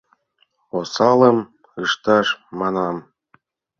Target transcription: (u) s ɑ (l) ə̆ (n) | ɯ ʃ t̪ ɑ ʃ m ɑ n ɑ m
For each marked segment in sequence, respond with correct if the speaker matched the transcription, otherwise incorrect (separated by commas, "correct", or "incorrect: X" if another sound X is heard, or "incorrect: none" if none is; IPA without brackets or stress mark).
incorrect: o, correct, incorrect: m